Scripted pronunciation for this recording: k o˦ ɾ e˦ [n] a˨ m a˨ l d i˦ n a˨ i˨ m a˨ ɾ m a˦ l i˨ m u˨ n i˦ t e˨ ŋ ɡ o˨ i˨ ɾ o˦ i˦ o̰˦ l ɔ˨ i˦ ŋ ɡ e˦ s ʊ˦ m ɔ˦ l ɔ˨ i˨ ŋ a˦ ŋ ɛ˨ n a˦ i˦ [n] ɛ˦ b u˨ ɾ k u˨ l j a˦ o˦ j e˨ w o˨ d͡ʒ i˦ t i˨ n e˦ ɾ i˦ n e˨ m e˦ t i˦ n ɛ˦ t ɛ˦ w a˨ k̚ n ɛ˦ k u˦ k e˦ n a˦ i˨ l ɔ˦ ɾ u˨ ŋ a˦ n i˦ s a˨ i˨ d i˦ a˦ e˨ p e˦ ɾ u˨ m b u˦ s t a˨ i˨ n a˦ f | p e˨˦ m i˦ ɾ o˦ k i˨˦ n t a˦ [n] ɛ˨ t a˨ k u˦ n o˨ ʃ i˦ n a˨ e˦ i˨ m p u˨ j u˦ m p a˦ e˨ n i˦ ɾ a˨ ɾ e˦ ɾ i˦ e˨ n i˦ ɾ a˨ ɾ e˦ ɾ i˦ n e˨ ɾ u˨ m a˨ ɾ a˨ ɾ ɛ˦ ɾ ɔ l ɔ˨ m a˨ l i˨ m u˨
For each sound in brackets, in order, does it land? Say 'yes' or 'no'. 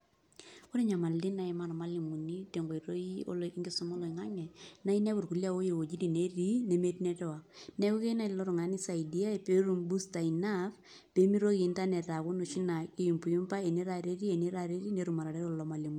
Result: no, yes, yes

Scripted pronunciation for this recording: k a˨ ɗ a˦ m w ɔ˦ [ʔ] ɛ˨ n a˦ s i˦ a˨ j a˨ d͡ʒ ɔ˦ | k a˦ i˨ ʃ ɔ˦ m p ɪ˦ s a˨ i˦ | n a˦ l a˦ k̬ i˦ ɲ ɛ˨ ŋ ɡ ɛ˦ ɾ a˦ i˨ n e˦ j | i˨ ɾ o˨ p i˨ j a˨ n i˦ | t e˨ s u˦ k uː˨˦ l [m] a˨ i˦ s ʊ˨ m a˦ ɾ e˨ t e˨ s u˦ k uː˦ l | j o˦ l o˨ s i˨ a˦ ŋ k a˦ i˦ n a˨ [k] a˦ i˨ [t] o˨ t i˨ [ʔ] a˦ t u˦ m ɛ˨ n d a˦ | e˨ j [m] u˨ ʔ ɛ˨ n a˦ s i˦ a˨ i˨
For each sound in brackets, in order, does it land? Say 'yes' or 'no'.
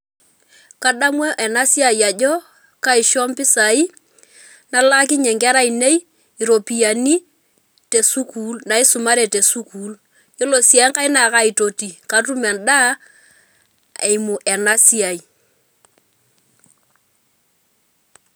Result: yes, no, yes, yes, no, yes

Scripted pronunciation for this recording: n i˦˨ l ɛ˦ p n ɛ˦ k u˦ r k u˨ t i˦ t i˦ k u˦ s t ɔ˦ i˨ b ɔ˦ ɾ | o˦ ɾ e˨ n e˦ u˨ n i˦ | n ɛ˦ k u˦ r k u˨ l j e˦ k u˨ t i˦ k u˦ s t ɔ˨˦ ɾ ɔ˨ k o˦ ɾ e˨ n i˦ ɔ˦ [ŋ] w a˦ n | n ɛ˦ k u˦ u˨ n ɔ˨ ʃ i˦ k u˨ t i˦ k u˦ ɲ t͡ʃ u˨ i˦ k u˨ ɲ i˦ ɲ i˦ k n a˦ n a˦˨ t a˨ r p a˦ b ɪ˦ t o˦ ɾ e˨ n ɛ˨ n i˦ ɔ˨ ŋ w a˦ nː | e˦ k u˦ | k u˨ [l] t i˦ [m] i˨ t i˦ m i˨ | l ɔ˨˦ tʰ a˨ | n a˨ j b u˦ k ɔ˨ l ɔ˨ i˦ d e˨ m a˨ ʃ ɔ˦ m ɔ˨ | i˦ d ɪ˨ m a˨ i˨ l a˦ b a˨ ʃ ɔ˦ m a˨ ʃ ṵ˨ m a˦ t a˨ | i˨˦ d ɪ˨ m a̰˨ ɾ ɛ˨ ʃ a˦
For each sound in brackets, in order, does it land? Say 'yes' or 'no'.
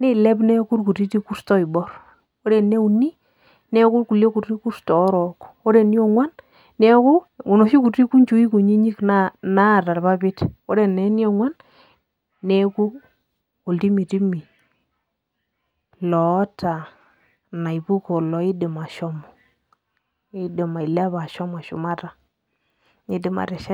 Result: yes, yes, yes

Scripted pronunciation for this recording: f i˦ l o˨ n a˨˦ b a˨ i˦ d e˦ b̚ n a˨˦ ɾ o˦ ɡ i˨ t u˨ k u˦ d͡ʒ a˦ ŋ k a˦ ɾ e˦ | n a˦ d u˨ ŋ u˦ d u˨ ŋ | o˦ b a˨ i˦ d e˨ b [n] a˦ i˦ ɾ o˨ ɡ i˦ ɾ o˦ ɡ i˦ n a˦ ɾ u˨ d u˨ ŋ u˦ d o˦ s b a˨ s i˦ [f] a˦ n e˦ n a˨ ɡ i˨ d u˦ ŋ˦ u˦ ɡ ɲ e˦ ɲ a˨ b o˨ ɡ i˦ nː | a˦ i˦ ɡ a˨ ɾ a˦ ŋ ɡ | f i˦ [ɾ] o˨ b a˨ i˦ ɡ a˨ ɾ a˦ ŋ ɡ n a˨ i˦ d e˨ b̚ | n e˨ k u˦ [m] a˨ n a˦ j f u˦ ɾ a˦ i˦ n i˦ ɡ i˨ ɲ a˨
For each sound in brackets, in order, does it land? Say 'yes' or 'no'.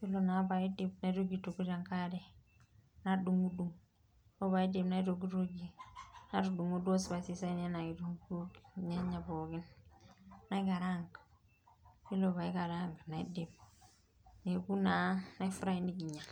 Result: yes, no, no, no

